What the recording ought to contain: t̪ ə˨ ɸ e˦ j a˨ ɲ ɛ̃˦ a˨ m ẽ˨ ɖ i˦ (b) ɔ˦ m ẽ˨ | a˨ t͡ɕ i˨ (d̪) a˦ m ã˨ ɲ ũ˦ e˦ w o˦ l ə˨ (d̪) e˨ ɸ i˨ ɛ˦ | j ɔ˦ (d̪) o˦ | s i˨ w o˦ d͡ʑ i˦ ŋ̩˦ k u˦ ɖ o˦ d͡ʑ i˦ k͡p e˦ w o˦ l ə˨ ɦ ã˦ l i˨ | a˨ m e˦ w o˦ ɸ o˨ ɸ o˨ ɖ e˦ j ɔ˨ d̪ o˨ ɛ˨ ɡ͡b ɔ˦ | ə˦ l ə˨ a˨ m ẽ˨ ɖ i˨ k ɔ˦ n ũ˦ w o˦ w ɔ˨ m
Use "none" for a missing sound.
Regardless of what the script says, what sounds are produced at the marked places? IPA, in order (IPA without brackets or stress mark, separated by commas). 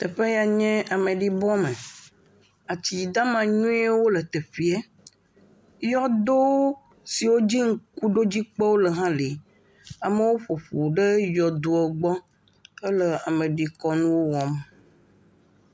b, d̪, t̪, d̪